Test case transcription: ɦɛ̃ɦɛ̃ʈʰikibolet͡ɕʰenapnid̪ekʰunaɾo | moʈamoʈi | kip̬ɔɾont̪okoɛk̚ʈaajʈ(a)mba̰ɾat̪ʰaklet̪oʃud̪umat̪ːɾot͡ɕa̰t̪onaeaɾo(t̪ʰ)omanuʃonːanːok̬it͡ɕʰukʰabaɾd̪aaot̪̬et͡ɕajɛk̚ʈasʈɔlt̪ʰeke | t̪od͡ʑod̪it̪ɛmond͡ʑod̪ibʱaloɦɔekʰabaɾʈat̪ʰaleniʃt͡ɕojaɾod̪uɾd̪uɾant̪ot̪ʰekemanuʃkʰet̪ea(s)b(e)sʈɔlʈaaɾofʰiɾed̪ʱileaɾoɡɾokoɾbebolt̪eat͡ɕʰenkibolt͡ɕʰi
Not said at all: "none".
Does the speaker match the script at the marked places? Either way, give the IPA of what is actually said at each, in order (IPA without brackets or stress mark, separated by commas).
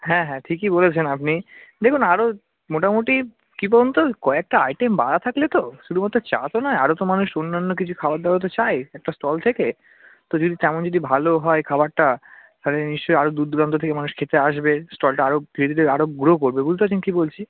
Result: e, t̪, ʃ, e